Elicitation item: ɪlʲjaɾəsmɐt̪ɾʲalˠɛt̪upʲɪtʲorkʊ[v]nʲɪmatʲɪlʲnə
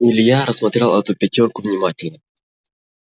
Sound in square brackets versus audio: correct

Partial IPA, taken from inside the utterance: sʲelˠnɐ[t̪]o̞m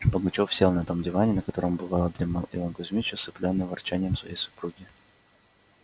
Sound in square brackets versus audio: correct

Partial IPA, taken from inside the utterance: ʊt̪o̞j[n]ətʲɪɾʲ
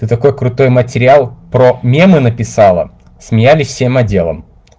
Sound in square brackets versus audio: incorrect: m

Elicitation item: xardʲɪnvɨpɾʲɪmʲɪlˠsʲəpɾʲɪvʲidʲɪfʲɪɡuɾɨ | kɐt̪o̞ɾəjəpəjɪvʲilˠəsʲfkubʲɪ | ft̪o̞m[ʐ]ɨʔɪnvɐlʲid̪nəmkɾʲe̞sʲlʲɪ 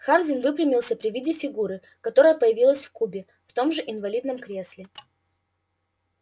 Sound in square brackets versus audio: correct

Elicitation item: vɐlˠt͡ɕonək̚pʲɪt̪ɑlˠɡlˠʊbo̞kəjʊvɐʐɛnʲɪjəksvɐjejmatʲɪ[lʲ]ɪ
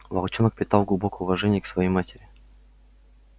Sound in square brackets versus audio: incorrect: ɾʲ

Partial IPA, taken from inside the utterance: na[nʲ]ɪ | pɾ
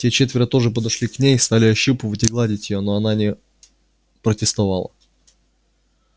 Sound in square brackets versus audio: correct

